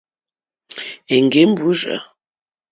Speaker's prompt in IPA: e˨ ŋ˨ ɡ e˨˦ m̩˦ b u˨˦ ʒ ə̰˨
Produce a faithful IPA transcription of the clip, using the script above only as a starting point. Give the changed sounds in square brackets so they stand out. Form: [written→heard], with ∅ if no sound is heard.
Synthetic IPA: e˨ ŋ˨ ɡ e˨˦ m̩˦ b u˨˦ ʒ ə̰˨